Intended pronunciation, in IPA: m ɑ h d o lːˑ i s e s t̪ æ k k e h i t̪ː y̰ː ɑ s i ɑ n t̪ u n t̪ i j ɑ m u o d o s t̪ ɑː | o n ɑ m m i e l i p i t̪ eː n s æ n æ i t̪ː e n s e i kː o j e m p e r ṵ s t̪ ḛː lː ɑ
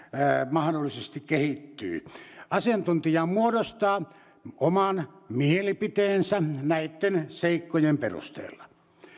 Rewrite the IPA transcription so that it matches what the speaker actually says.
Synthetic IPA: m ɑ h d o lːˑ i s e s t̪ i k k e h i t̪ː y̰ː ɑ s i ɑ n t̪ u n t̪ i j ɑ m u o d o s t̪ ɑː | o m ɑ n m i e l i p i t̪ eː n s æ n æ i t̪ː e n s e i kː o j e m p e r ṵ s t̪ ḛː lː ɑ